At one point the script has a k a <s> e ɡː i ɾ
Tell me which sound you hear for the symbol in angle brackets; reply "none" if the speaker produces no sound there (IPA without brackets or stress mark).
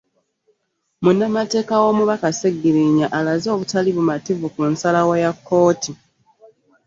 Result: s